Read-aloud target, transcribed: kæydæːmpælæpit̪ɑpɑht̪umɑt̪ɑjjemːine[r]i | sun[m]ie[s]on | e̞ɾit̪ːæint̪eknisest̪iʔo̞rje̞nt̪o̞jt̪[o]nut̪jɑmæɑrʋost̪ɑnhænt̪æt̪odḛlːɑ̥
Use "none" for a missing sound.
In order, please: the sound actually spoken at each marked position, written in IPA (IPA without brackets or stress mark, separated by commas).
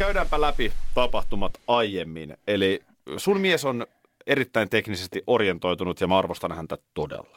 l, m, s, u